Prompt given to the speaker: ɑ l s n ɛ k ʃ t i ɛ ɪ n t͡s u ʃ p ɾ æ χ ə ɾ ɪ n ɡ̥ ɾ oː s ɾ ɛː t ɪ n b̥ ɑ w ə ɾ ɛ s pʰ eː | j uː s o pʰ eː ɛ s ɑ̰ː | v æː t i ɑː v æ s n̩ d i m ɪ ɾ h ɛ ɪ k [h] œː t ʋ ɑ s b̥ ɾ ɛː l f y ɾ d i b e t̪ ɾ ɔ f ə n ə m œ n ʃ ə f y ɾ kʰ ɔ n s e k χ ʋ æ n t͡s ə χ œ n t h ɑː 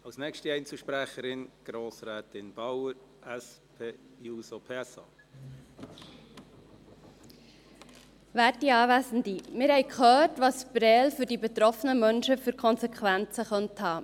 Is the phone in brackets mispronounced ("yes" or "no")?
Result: yes